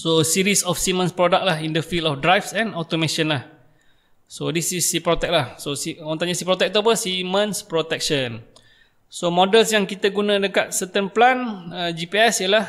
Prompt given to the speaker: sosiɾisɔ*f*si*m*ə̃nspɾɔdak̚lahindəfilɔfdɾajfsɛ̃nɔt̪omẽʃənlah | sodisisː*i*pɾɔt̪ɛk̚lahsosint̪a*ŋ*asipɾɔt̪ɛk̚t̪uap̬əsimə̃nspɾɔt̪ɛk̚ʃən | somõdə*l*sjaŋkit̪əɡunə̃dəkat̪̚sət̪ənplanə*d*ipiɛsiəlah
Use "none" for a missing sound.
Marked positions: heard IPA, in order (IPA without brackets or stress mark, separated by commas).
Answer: f, m, i, ɲ, l, d͡ʒ